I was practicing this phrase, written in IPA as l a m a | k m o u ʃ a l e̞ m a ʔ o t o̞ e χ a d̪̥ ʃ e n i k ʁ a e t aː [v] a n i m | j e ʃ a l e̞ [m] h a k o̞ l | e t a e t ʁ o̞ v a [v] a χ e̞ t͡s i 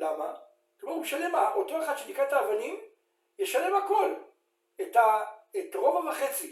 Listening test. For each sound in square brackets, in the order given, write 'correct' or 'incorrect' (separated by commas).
correct, correct, correct